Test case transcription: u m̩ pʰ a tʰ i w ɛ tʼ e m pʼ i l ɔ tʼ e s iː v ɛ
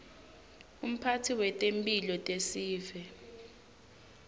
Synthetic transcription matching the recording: u m̩ pʰ a tʰ i w ɛ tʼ e m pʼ i l ɔ tʼ e s iː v ɛ